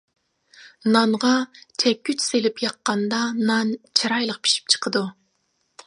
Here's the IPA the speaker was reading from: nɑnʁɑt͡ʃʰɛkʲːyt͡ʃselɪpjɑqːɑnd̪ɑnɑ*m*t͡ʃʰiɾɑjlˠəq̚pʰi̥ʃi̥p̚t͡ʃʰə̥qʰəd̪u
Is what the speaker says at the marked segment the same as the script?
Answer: no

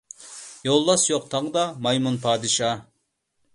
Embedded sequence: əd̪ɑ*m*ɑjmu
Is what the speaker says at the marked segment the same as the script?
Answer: yes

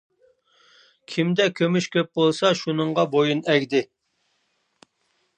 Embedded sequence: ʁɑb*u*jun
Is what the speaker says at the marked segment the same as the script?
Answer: no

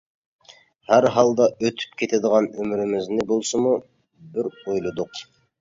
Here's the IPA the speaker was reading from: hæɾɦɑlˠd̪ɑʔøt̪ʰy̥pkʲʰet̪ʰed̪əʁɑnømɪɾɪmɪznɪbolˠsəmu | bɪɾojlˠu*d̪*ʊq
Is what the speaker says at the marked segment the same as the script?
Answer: yes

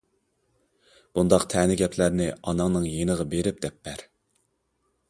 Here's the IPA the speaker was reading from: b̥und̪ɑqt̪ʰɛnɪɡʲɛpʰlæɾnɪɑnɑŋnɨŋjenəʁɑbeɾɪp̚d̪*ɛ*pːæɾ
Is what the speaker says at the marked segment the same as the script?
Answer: yes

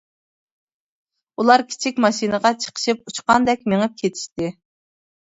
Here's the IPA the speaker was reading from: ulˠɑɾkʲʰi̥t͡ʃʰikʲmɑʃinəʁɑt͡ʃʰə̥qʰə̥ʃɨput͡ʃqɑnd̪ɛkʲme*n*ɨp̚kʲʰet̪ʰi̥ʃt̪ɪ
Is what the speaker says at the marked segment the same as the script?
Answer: no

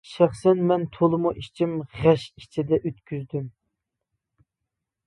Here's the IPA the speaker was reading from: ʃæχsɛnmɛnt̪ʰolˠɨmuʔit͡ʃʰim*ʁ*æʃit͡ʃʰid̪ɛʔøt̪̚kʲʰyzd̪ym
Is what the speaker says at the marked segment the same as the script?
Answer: yes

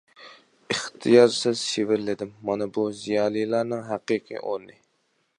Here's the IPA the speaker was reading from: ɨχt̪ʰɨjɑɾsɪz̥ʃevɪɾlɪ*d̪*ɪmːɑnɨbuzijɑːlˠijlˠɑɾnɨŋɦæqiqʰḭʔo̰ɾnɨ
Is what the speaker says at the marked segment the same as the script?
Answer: yes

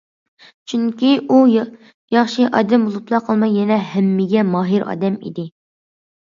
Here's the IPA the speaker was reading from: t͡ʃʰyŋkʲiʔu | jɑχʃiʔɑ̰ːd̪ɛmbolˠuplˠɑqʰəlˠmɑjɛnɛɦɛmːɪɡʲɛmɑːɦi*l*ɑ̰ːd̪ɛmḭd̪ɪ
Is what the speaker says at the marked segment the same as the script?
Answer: no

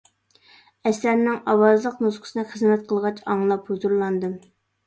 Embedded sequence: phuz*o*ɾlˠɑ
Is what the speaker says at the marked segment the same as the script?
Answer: no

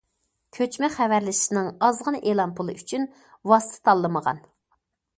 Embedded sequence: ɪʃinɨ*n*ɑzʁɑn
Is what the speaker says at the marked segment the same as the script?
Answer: no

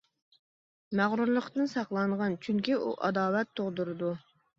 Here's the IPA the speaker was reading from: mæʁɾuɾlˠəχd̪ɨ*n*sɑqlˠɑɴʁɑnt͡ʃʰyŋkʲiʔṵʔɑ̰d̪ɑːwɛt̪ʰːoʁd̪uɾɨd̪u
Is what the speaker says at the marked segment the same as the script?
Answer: yes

